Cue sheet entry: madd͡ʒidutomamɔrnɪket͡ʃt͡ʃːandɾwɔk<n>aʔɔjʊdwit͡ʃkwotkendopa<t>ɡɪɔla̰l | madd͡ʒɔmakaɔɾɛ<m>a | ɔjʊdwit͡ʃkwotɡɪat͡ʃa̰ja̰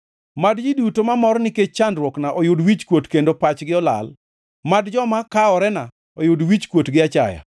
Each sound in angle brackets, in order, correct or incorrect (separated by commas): correct, incorrect, incorrect